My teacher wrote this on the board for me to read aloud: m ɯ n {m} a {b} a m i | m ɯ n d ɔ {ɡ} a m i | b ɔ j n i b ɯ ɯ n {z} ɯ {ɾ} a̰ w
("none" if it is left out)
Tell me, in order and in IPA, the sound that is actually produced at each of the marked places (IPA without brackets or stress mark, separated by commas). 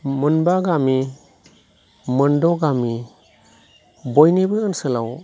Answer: b, ɡ, ɡ, s, l